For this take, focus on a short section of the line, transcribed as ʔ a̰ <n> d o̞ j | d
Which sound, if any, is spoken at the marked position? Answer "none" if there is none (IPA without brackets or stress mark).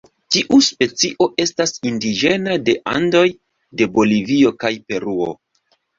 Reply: n